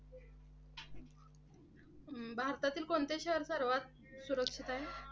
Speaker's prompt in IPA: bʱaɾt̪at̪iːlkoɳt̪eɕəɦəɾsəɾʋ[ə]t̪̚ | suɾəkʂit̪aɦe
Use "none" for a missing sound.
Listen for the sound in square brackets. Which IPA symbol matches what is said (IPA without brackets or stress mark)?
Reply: a